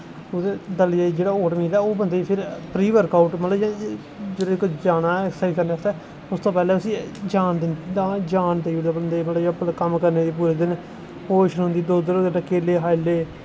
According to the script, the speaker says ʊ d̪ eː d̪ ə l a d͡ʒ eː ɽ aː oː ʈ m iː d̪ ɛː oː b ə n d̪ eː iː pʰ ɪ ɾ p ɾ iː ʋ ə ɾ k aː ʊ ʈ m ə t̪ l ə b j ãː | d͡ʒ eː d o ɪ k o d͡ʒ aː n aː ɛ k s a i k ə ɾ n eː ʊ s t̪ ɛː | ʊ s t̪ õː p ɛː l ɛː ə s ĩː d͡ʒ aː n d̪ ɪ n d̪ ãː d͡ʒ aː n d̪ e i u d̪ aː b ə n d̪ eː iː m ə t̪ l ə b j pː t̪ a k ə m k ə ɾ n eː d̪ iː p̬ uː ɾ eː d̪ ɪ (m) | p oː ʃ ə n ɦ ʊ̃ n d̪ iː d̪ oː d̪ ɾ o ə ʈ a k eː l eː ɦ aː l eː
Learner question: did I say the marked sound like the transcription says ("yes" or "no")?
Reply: no